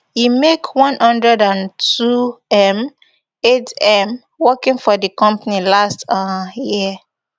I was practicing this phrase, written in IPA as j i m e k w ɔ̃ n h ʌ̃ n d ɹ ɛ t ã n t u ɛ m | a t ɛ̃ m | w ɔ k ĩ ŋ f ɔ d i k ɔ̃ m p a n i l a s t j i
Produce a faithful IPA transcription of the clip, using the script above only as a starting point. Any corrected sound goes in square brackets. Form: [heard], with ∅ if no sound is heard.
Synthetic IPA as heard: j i m e k w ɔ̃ n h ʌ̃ n d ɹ ɛ [d] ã n t u ɛ m | [e] t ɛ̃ m | w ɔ k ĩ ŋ f ɔ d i k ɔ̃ m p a n i l a s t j i